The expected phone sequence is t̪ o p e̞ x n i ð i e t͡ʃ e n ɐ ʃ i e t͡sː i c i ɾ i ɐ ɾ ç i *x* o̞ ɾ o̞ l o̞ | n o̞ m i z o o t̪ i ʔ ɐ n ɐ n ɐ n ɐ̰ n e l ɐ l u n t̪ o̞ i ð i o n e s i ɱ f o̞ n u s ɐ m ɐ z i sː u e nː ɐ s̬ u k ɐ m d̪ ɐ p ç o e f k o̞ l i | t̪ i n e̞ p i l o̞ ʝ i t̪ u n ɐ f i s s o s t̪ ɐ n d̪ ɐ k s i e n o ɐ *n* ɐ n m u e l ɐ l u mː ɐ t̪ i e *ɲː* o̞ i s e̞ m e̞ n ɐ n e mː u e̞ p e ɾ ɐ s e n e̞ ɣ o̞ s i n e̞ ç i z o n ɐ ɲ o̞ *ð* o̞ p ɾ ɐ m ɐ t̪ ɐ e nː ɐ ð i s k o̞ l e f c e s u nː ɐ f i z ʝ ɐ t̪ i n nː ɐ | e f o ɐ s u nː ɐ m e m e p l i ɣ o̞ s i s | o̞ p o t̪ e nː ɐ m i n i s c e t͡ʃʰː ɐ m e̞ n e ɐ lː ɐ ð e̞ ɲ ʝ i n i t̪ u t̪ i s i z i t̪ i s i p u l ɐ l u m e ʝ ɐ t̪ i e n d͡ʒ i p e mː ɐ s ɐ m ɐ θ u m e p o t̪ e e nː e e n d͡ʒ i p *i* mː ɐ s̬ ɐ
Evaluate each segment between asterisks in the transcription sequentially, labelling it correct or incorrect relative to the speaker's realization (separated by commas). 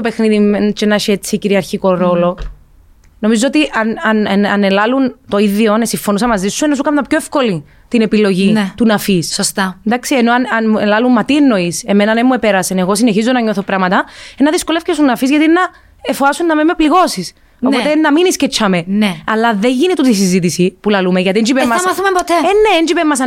incorrect, correct, incorrect, incorrect, incorrect